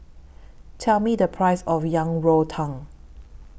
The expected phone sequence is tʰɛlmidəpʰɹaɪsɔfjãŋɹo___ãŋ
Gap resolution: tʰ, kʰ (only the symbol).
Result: tʰ